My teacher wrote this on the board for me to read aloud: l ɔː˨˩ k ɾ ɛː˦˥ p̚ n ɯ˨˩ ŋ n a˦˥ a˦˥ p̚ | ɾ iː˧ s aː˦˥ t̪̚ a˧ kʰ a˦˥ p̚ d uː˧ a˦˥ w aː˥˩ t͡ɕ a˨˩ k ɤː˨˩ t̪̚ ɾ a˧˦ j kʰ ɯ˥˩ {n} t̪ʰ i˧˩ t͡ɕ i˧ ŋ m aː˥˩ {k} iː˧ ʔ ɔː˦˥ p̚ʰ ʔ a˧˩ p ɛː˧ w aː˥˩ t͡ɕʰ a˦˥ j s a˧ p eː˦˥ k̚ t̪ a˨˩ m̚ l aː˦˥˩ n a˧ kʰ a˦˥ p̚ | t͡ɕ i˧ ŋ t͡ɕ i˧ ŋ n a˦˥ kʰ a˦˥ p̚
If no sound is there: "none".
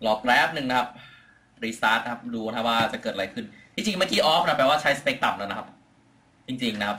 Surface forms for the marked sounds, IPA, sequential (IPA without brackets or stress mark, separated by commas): n, k